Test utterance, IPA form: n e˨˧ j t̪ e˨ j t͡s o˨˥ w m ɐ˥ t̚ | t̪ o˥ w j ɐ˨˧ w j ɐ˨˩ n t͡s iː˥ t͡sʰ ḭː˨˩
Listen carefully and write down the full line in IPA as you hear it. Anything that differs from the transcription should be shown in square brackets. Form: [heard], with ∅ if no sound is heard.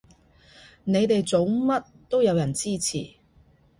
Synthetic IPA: n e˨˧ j t̪ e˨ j t͡s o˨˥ w m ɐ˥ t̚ | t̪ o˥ w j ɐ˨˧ w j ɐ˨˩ n t͡s iː˥ t͡sʰ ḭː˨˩